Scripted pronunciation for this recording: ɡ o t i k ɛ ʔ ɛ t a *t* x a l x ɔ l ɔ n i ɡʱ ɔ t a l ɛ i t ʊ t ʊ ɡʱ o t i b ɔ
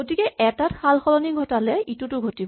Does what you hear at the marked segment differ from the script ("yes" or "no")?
no